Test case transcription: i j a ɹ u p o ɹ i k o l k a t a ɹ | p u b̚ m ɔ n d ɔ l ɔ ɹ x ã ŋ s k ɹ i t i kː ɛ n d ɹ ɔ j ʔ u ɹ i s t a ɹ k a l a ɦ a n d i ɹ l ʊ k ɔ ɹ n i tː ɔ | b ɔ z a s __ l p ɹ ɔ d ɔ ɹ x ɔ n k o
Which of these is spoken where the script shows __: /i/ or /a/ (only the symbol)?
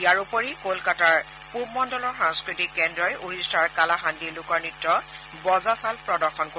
a